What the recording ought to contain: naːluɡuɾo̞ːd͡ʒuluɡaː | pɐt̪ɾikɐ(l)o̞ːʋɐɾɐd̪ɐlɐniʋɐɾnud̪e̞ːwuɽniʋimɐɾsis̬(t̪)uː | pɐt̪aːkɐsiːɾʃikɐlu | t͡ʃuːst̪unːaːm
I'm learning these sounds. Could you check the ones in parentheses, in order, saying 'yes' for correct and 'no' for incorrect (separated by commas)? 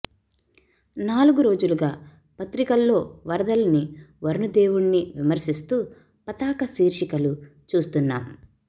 no, yes